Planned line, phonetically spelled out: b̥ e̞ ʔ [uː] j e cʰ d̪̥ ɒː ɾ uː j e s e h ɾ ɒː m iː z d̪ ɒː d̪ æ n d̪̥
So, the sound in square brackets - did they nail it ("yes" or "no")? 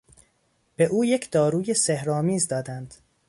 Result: yes